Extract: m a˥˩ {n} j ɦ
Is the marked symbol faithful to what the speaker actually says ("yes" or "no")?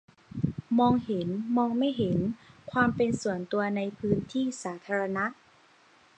no